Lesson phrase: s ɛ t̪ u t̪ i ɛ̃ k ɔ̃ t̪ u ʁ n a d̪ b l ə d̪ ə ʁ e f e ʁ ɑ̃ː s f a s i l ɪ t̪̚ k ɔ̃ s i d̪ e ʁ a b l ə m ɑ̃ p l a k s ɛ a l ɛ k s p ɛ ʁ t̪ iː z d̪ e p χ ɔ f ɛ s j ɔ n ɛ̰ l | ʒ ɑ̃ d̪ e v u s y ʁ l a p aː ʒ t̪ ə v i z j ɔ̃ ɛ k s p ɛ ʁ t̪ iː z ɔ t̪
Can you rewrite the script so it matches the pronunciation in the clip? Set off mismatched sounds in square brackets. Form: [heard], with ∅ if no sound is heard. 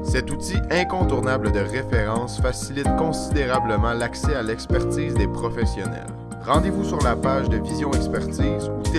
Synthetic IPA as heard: s ɛ t̪ u t̪ i ɛ̃ k ɔ̃ t̪ u ʁ n a [∅] b l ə d̪ ə ʁ e f e ʁ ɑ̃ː s f a s i l ɪ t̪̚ k ɔ̃ s i d̪ e ʁ a b l ə m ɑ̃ [∅] l a k s ɛ a l ɛ k s p ɛ ʁ t̪ iː z d̪ e p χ ɔ f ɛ s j ɔ n ɛ̰ l | [ʁ] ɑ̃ d̪ e v u s y ʁ l a p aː ʒ [d̪] ə v i z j ɔ̃ ɛ k s p ɛ ʁ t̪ iː z [u] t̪

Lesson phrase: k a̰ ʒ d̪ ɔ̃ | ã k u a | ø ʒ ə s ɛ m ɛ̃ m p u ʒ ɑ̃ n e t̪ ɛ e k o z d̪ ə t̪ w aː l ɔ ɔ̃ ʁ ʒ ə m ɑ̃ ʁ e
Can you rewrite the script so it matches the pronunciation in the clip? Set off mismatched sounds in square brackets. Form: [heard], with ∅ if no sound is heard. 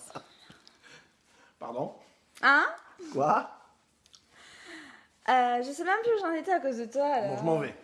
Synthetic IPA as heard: [p] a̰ [ʁ] d̪ ɔ̃ | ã k [w] a | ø ʒ ə s ɛ m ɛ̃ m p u ʒ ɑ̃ n e t̪ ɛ [a] k o z d̪ ə t̪ w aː l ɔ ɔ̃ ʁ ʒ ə m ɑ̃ [v] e

